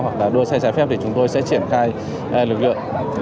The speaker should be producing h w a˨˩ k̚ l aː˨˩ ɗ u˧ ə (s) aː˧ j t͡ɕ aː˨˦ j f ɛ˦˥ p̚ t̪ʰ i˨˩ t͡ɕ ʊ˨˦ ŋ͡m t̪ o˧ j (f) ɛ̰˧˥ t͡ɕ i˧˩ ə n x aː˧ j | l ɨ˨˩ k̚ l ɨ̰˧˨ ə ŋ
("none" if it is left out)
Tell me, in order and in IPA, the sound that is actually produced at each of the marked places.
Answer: s, s

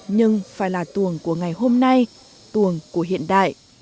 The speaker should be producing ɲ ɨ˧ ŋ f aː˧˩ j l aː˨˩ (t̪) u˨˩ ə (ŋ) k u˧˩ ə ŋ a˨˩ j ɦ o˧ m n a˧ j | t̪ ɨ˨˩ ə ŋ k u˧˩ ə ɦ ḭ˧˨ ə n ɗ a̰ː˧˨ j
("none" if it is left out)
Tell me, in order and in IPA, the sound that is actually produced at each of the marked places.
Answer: t̪, ŋ

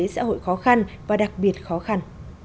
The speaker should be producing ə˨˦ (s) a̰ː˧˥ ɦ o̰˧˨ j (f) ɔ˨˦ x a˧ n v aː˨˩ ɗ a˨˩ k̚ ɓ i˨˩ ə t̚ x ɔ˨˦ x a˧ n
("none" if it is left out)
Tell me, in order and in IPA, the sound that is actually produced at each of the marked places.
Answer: s, x

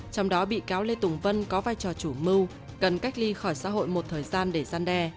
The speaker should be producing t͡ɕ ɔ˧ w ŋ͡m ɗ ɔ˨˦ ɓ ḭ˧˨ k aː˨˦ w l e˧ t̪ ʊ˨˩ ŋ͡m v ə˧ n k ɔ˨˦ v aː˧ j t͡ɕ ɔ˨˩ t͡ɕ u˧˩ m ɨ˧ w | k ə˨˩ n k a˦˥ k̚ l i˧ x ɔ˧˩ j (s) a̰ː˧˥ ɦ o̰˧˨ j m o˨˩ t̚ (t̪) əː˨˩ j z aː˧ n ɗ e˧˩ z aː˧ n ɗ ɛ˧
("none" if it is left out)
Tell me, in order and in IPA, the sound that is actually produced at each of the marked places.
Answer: s, t̪ʰ

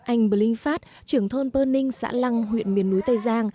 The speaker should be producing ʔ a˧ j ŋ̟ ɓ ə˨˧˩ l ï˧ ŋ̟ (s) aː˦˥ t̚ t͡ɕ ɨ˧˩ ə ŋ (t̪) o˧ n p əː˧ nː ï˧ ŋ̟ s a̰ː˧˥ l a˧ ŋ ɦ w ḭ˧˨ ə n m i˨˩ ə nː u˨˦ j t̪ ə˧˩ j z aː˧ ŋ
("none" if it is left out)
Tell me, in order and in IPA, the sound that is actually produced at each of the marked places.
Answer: f, t̪ʰ

